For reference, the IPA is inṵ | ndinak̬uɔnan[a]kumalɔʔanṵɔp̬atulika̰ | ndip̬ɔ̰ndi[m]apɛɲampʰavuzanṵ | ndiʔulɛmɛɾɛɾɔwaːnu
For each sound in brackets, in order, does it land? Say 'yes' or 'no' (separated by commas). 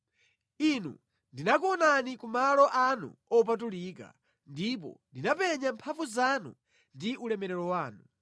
no, no